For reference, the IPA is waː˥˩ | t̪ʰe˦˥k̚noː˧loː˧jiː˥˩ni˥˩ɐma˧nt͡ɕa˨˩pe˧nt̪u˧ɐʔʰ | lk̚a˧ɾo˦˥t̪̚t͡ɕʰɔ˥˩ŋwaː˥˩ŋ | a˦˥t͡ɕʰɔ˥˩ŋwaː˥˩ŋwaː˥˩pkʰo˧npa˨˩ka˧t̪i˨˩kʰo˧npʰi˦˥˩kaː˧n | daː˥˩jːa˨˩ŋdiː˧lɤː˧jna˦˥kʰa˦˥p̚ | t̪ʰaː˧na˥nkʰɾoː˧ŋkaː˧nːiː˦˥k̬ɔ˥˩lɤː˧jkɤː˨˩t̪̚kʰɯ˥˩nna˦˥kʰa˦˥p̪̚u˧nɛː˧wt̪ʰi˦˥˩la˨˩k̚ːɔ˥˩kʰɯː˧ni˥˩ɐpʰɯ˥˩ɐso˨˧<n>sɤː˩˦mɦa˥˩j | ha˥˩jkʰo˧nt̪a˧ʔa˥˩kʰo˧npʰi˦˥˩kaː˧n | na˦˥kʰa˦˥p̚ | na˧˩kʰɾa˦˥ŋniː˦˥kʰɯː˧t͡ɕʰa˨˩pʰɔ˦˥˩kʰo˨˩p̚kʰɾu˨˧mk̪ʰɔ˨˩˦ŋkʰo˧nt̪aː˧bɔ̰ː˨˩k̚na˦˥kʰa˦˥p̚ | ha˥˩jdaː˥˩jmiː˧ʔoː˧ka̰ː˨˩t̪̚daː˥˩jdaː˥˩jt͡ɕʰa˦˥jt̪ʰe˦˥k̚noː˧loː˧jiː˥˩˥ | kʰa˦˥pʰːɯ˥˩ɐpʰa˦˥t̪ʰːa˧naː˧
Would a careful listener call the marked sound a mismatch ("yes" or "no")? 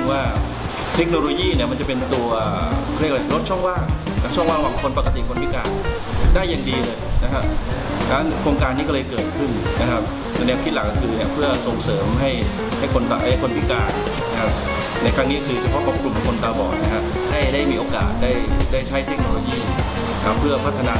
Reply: yes